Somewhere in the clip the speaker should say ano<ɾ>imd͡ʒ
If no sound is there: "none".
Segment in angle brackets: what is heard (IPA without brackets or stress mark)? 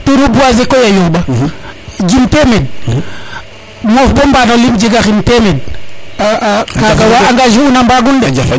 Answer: l